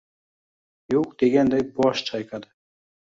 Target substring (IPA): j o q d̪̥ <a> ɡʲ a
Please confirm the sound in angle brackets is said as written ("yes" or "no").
no